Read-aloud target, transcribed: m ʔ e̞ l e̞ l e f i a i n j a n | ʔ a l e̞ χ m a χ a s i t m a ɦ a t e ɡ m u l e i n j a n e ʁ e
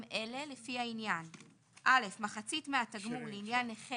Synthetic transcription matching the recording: m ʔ e̞ l e̞ l e f i a i n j a n | ʔ a l e̞ f m a χ a t͡s i t m e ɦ a t a ɡ m u l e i n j a n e χ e